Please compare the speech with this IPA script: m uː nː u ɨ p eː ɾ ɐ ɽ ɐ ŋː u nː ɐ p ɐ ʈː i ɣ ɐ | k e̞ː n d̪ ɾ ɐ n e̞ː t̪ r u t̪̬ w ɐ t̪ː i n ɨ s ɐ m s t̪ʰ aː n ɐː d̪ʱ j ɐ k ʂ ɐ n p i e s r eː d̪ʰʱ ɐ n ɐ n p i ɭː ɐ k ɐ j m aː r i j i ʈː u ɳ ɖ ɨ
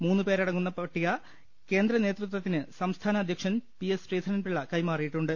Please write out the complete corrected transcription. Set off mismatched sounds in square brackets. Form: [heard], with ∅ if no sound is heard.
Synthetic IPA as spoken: m uː nː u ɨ p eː ɾ ɐ ɽ ɐ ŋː u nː ɐ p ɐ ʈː i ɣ ɐ | k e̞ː n d̪ ɾ ɐ n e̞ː t̪ r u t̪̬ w ɐ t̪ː i n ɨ s ɐ m s t̪ʰ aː n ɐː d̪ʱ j ɐ k ʂ ɐ n p i e s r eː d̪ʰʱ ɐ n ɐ n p i ɭː ɐ k ɐ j m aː r i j i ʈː u ɳ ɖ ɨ